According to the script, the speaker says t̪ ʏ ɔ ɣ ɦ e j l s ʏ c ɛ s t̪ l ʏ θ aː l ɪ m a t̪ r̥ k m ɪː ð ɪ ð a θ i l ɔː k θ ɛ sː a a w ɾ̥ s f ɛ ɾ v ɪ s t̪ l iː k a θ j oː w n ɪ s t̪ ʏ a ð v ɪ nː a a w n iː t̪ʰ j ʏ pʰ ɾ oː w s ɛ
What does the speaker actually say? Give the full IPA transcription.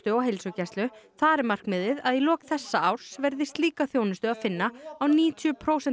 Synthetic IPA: t̪ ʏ ɔ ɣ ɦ e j l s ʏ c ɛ s t̪ l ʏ θ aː ɾ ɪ m a r̥ k m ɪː ð ɪ ð a ð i l ɔː k θ ɛ sː a a w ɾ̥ s v ɛ ɾ ð ɪ s t̪ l iː k a θ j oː w n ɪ s t̪ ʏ a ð f ɪ nː a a w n iː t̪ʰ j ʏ pʰ ɾ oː w s ɛ